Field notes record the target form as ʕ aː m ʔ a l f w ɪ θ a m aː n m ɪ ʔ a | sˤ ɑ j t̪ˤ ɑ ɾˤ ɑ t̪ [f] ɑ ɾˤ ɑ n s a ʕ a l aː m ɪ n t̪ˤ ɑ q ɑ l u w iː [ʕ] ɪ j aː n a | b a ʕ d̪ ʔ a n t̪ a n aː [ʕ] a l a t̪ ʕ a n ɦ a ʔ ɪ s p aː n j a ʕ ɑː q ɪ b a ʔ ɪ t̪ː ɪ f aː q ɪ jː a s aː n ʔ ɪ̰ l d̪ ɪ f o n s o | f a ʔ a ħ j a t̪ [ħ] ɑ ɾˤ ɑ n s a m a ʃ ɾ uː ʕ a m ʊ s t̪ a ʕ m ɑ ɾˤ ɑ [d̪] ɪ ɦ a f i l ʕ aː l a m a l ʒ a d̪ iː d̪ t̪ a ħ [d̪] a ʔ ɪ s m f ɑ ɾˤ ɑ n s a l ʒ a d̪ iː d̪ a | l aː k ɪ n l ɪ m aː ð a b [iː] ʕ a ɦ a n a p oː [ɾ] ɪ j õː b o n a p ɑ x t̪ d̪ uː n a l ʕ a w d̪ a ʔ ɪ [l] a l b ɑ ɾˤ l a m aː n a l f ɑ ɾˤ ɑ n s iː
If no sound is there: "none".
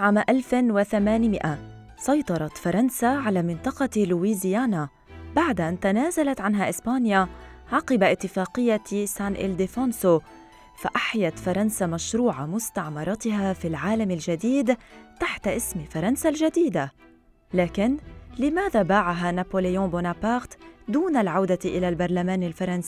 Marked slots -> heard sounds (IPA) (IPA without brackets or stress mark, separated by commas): f, z, z, f, t̪, t̪, aː, l, l